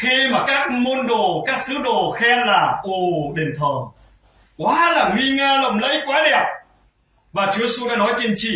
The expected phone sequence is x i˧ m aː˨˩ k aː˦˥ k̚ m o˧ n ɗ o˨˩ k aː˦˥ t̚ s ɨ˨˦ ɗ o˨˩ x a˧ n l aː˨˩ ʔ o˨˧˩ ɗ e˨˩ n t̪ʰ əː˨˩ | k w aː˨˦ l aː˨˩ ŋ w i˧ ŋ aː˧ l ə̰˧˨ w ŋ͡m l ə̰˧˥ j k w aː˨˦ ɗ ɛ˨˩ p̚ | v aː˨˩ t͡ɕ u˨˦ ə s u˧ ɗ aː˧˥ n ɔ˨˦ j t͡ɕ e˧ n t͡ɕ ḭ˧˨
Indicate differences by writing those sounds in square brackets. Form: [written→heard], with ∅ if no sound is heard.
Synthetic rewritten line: x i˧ m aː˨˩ k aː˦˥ k̚ m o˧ n ɗ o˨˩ k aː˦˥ [t̚→k̚] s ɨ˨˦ ɗ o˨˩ x [a˧→ɛ˧] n l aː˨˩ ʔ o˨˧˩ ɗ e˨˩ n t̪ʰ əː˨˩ | k w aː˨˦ l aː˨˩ ŋ w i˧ ŋ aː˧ l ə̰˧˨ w ŋ͡m l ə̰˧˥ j k w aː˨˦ ɗ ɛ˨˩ p̚ | v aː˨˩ t͡ɕ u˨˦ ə s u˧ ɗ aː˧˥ n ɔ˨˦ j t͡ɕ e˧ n t͡ɕ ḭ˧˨